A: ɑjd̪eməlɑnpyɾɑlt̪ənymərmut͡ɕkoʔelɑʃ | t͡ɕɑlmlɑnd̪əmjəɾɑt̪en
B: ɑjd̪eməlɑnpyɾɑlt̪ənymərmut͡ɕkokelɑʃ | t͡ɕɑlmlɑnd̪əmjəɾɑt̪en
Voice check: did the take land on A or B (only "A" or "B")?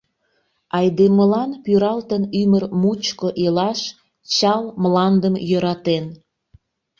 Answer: A